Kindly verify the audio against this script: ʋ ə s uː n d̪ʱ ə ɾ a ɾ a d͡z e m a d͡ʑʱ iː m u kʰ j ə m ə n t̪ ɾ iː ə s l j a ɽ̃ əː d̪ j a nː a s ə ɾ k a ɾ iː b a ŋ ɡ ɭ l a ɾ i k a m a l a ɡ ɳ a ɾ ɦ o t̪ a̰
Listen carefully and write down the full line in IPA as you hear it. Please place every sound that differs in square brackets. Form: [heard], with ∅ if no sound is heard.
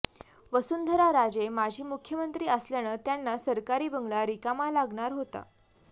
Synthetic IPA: ʋ ə s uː n d̪ʱ ə ɾ a ɾ a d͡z e m a d͡ʑʱ iː m u kʰ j ə m ə n t̪ ɾ iː ə s l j a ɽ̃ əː [t̪] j a nː a s ə ɾ k a ɾ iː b [ə] ŋ ɡ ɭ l a ɾ i k a m a l a ɡ ɳ a ɾ ɦ o t̪ a̰